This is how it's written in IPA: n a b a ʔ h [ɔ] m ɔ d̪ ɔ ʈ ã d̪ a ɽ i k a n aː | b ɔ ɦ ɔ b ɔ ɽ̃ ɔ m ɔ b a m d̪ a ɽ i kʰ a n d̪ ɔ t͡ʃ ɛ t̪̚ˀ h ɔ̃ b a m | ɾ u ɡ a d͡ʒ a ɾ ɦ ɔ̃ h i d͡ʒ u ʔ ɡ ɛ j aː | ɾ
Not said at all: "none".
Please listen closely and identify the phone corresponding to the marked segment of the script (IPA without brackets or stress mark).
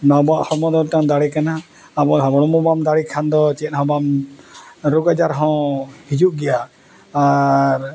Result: ɔ